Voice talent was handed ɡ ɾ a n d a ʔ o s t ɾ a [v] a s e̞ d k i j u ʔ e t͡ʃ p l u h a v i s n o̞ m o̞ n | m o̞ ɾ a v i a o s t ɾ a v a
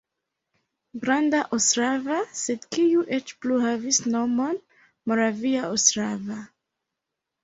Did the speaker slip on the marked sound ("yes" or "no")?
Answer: no